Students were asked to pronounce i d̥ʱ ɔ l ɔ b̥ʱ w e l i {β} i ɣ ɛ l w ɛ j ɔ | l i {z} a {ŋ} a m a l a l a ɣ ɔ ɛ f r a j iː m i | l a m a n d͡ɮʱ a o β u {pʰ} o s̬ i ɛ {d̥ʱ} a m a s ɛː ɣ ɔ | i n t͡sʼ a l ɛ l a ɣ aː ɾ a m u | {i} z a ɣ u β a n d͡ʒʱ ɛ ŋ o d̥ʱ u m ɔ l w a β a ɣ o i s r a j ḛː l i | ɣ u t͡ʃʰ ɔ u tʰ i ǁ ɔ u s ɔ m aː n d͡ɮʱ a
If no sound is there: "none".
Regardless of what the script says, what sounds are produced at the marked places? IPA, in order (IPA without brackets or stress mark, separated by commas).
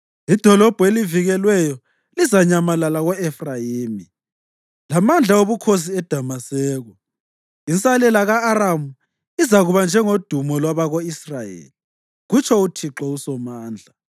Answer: v, z, ɲ, kʰ, d̥ʱ, i